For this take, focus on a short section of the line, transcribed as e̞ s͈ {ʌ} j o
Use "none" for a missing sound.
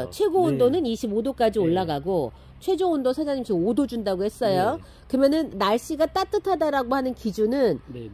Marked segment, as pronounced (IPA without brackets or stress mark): ʌ